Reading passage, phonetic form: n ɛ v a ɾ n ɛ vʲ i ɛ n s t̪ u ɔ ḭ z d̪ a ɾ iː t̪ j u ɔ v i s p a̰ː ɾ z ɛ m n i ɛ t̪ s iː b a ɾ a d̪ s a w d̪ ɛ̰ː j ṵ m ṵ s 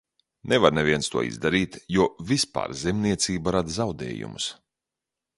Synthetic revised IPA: n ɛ v a ɾ n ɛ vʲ i ɛ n s t̪ u ɔ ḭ z d̪ a ɾ iː t̪ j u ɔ v i s p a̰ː ɾ z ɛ m n i ɛ t̪ s iː b a ɾ a d̪ z a w d̪ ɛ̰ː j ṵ m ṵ s